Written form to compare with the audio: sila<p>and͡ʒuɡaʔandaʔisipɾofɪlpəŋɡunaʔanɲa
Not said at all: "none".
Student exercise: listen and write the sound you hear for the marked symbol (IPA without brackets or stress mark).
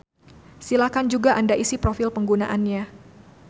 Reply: k